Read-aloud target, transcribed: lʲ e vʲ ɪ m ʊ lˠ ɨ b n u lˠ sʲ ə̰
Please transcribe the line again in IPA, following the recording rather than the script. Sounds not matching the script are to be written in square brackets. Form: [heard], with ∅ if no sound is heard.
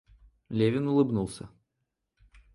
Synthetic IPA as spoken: lʲ e vʲ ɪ [n] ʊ lˠ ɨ b n u lˠ sʲ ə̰